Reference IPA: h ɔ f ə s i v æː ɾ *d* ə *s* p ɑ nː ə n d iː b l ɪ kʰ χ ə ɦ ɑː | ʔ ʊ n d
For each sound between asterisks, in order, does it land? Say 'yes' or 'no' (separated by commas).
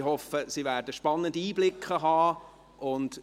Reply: yes, no